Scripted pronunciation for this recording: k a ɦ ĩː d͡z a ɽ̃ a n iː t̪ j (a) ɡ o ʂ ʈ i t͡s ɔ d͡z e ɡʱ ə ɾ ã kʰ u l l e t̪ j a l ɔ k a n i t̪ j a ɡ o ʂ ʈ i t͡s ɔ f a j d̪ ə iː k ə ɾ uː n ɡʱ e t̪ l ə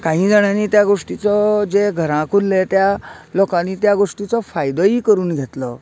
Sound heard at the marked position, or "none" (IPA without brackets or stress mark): a